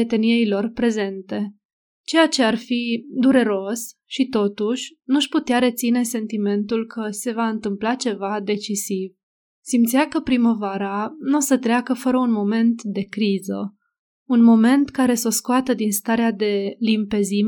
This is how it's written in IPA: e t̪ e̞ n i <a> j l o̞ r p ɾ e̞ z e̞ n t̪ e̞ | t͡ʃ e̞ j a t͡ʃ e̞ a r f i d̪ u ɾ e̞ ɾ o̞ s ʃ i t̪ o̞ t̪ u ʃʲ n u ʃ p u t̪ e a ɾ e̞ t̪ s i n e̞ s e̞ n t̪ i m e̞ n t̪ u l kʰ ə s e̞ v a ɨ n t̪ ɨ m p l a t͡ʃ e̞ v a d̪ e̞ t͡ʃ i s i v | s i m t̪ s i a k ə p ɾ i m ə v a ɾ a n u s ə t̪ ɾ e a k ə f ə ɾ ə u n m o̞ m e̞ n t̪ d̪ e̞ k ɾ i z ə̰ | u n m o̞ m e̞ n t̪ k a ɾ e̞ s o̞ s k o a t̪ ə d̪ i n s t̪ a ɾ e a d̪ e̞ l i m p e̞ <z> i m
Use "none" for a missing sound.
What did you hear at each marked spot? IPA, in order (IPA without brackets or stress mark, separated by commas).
e, z